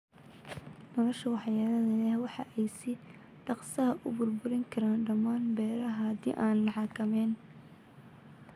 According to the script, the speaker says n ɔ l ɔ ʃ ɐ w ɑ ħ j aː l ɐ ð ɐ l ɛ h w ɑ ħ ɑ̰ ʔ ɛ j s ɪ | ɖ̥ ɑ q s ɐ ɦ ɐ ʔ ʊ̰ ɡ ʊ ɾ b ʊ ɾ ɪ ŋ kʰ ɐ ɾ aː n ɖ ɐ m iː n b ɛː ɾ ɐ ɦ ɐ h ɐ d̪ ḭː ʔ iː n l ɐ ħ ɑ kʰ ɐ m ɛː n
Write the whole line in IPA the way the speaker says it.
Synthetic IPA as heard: n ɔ l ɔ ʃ ɐ w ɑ ħ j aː l ɐ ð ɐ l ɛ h w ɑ ħ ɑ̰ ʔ ɛ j s ɪ | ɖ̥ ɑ q s ɐ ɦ ɐ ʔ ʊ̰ b ʊ r b ʊ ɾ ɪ ŋ kʰ ɐ ɾ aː n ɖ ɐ m aː n b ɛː ɾ ɐ ɦ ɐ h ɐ d̪ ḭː ʔ aː n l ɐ ħ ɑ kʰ ɐ m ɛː n